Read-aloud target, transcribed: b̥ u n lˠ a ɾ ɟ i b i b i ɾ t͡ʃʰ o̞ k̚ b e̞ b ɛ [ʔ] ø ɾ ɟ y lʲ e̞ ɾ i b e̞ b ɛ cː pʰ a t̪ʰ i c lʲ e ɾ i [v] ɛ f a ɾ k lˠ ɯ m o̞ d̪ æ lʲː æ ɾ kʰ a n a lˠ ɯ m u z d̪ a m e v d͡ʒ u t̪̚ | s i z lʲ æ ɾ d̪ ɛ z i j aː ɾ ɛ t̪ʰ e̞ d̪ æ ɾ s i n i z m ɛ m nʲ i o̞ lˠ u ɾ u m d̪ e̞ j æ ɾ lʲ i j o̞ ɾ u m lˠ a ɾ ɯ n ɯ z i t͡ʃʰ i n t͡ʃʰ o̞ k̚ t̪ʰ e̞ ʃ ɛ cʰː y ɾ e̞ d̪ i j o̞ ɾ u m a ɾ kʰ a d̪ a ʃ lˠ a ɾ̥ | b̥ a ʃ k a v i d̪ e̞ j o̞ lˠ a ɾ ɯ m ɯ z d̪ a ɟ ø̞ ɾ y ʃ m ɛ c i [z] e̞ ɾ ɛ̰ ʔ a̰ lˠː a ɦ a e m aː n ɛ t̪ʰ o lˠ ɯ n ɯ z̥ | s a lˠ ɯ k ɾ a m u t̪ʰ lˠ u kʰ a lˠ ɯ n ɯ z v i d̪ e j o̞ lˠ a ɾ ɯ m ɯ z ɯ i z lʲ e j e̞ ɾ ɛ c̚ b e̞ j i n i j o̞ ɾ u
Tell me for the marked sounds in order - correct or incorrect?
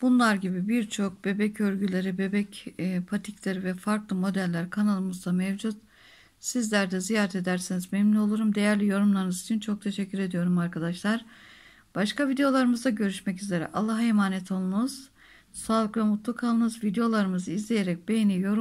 incorrect, correct, correct

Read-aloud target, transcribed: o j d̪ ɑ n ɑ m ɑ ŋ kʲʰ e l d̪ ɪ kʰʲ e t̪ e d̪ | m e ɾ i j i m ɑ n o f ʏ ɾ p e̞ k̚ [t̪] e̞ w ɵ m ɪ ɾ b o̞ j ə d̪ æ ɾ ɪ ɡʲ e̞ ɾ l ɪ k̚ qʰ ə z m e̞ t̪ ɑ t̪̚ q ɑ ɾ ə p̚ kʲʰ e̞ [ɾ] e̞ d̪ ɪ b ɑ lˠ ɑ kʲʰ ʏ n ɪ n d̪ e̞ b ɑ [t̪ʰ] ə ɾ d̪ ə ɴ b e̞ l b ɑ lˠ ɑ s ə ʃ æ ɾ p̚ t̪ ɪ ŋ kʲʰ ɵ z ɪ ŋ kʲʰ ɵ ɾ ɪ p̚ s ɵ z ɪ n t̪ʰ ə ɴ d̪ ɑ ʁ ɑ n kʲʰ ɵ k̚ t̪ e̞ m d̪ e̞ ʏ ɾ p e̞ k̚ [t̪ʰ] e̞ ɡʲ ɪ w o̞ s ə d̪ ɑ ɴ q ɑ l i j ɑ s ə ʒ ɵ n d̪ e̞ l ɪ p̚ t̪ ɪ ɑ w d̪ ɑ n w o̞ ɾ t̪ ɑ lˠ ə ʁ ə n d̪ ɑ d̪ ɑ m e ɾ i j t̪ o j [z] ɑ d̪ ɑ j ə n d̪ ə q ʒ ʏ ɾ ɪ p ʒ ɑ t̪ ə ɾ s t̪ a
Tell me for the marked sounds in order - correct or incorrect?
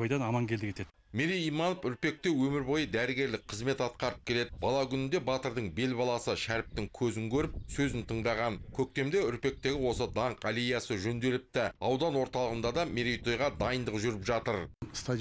correct, incorrect, incorrect, incorrect, incorrect

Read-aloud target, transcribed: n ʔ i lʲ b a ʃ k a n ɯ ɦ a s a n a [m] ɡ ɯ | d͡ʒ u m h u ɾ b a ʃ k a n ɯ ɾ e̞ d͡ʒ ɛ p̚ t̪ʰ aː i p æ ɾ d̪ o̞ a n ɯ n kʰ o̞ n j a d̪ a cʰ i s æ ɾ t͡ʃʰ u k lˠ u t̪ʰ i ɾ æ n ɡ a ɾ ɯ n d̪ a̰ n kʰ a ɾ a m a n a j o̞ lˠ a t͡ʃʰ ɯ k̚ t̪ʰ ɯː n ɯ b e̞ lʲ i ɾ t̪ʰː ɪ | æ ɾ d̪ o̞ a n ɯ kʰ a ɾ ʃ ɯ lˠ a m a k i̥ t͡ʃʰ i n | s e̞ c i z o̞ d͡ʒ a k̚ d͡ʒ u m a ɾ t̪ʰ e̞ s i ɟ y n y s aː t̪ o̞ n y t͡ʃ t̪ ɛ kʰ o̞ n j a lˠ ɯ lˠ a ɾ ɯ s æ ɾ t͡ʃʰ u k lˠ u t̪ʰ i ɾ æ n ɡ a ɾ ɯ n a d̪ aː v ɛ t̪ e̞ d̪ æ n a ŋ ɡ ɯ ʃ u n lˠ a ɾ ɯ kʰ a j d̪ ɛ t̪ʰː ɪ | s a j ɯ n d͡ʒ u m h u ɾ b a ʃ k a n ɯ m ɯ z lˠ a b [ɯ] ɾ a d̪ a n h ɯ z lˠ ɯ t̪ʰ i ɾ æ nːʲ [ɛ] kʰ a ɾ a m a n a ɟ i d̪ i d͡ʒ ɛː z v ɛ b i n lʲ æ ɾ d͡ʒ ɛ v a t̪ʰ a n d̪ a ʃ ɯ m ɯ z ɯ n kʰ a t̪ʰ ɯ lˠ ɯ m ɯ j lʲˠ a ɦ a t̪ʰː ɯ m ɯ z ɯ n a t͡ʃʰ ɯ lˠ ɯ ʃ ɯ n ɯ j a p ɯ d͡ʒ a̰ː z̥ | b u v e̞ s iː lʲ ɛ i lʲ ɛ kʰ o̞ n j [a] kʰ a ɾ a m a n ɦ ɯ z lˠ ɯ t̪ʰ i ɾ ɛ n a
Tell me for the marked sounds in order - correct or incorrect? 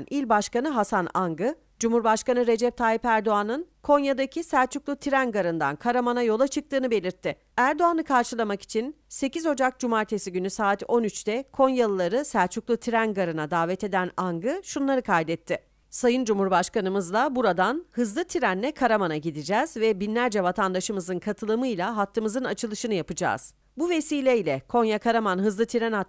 incorrect, incorrect, correct, correct

